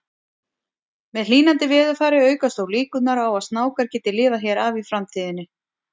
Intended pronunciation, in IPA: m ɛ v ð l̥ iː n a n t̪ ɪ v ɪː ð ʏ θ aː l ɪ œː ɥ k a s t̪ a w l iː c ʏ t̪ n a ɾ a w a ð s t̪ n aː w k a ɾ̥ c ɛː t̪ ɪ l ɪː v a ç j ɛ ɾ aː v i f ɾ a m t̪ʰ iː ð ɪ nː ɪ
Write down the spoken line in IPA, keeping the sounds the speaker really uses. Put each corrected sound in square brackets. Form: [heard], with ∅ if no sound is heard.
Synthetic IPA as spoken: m ɛ [∅] ð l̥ iː n a n t̪ ɪ v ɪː ð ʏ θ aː [ɾ] ɪ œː ɥ k a s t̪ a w l iː [k] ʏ t̪ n a ɾ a w a ð s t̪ n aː w k a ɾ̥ c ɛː t̪ ɪ l ɪː v a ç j ɛ ɾ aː v i f ɾ a m t̪ʰ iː ð ɪ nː ɪ